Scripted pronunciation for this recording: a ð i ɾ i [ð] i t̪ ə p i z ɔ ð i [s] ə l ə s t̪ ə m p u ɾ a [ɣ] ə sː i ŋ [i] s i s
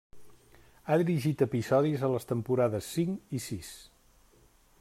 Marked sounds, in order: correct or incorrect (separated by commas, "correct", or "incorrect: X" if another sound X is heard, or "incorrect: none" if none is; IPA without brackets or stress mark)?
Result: incorrect: ʒ, incorrect: z, incorrect: ð, correct